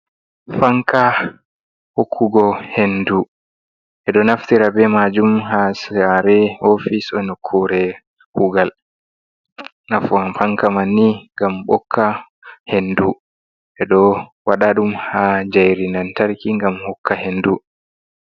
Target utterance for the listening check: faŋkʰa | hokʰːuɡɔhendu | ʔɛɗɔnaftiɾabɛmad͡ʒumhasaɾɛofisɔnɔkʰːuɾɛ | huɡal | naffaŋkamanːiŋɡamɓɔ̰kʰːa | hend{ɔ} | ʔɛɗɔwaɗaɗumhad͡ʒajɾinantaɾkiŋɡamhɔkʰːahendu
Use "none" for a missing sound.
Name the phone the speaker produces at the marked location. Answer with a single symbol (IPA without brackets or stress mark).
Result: u